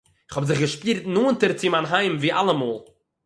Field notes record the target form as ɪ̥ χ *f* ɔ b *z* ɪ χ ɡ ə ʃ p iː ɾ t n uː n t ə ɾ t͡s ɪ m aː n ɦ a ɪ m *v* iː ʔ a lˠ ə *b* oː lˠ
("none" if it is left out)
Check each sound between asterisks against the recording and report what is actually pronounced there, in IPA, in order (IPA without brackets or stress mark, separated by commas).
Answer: h, z, v, m